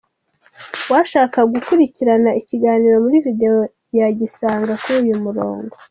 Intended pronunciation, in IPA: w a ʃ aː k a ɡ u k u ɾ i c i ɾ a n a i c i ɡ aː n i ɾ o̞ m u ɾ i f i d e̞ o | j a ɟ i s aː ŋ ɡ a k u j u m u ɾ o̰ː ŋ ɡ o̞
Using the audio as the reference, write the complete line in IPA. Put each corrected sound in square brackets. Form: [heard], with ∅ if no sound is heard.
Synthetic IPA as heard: w a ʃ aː k a ɡ u k u ɾ i c i ɾ a n a i c i ɡ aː n i ɾ o̞ m u ɾ i [v] i d e̞ o | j a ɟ i s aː ŋ ɡ a k u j u m u ɾ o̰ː ŋ ɡ o̞